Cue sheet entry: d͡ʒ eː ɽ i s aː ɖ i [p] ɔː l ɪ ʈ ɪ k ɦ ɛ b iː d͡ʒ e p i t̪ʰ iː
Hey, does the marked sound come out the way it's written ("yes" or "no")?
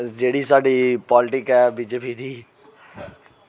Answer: yes